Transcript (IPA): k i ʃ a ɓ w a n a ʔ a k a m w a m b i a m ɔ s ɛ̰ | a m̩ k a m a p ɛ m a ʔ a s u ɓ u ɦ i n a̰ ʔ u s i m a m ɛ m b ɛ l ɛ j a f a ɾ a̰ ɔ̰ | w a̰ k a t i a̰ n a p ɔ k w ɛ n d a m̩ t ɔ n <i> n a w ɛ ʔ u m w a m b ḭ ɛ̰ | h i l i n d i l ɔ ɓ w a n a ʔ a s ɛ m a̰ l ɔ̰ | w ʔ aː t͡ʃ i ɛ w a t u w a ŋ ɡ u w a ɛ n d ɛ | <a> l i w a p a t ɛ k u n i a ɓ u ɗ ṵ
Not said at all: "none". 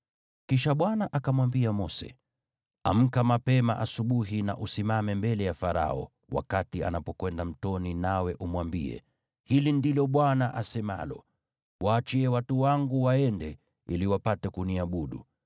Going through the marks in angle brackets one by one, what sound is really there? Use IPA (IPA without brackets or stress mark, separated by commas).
i, i